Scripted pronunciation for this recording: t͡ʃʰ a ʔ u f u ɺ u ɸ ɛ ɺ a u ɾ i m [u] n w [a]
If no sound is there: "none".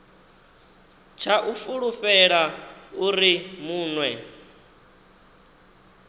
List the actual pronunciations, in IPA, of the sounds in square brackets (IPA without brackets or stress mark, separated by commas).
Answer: uː, ɛ